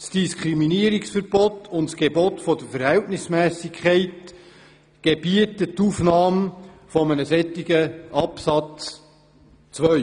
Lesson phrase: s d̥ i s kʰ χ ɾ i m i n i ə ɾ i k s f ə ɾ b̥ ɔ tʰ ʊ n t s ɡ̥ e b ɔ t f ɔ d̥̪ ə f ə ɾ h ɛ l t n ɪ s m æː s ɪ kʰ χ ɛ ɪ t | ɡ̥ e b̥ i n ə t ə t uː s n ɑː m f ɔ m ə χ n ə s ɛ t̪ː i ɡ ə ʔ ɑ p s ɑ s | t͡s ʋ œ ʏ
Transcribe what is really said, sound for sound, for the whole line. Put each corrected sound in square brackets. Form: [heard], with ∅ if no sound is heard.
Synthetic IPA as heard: s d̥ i s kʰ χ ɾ i m i n i ə ɾ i k s f ə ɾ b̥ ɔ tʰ ʊ n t s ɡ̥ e b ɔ t f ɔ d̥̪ ə f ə ɾ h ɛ l t n ɪ s m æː s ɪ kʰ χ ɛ ɪ t | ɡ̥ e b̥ i [∅] ə t ə t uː [f] n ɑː m f ɔ m ə [∅] n ə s ɛ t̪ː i ɡ ə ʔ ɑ p s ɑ [t͡s] | t͡s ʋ œ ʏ